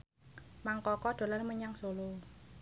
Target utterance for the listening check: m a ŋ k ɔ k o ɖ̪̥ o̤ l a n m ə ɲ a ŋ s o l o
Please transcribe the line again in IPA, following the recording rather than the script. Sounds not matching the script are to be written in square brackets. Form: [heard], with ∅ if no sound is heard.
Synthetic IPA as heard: m a ŋ k ɔ k [ɔ] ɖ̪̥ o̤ l a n m ə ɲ a ŋ s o l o

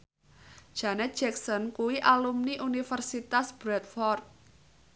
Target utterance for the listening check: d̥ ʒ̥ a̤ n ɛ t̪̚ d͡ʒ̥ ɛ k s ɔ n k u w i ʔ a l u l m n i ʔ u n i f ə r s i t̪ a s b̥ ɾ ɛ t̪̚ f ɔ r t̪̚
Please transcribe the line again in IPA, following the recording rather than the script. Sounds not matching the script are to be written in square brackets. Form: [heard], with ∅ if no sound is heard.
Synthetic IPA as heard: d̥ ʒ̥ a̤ n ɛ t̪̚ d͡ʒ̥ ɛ k s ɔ n k u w i ʔ a l u [∅] m n i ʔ u n i f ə r s i t̪ a s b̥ ɾ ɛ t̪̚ f ɔ r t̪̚

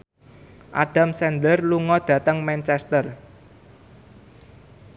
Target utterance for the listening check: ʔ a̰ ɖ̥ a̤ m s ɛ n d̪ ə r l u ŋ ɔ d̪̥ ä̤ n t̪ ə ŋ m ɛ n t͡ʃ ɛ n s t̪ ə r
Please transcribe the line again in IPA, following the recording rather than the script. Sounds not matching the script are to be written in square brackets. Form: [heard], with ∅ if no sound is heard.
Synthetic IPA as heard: ʔ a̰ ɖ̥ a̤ m s ɛ n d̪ ə r l u ŋ ɔ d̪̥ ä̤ [∅] t̪ ə ŋ m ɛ n t͡ʃ ɛ [∅] s t̪ ə r

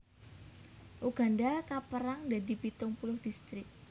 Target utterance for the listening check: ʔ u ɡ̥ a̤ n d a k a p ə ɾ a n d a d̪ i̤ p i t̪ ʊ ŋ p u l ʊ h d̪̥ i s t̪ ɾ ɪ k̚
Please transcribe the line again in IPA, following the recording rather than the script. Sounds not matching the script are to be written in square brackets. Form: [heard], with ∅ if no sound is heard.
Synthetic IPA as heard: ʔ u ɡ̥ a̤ n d a k a p ə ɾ a [ŋ] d a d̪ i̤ p i t̪ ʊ ŋ p u l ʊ h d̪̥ i s t̪ ɾ ɪ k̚

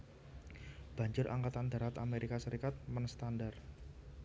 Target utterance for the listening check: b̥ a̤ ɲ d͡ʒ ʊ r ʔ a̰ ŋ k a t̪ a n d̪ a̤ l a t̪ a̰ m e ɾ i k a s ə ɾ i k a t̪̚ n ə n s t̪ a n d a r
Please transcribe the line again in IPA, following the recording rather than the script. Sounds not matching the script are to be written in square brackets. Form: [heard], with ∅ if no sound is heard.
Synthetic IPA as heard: b̥ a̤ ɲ d͡ʒ ʊ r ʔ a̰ ŋ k a t̪ a n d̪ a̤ [ɾ] a t̪ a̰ m e ɾ i k a s ə ɾ i k a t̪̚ [m] ə n s t̪ a n d a r

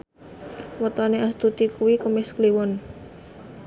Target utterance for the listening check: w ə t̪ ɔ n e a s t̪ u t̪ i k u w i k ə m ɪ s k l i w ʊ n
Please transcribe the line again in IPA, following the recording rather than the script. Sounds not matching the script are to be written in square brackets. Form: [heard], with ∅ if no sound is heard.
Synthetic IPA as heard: w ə t̪ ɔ n e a s t̪ u t̪ i k u w i k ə m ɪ s k l i w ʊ n

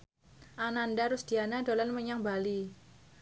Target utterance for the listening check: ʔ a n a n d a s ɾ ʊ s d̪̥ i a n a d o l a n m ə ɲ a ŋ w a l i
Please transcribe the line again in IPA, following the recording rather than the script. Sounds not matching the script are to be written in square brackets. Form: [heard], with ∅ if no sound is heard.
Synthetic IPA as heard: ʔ a n a n d a [∅] ɾ ʊ s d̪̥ i a n a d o l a n m ə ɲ a ŋ [b] a l i

